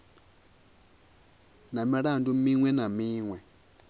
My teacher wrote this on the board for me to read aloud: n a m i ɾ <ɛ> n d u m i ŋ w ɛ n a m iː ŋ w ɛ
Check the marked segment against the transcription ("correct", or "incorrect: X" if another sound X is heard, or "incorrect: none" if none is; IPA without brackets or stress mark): incorrect: a